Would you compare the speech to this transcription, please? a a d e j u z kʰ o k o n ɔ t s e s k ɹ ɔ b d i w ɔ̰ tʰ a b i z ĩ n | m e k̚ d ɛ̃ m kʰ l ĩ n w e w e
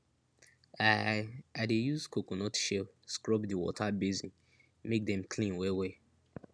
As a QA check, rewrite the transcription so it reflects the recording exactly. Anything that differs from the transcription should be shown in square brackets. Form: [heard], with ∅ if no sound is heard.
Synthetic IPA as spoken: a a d e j u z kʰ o k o n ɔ t [ʃ] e s k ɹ ɔ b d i w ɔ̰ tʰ a b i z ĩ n | m e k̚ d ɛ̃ m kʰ l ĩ n w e w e